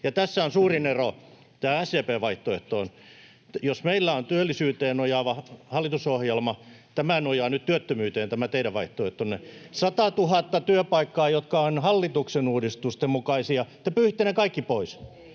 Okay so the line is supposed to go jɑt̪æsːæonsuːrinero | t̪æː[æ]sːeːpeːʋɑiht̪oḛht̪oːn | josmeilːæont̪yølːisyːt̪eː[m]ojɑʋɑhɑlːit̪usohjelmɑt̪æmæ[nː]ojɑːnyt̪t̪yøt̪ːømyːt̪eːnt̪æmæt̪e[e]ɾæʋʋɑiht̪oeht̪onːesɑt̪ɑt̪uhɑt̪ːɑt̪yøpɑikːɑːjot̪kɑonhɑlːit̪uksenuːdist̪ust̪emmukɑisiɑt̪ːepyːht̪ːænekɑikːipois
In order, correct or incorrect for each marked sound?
correct, incorrect: n, incorrect: n, incorrect: i

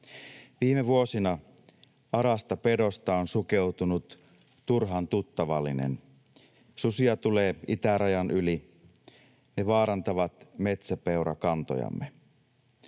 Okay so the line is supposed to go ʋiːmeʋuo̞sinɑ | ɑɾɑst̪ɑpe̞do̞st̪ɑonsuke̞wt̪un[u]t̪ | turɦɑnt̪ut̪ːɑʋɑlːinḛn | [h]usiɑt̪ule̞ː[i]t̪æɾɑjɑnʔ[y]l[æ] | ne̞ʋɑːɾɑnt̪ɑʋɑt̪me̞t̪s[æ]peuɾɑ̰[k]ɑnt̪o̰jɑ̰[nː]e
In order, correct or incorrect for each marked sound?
correct, incorrect: s, correct, correct, incorrect: i, correct, correct, incorrect: mː

